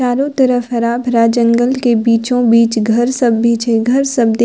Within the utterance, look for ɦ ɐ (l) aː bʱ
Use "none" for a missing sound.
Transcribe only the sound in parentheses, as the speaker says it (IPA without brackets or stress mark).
ɾ